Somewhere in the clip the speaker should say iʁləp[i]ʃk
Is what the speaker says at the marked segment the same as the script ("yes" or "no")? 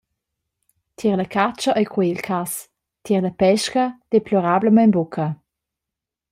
no